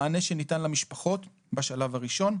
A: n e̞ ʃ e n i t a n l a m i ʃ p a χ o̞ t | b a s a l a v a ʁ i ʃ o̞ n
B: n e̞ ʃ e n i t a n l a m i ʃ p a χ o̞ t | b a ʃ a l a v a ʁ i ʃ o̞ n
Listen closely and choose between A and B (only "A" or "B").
B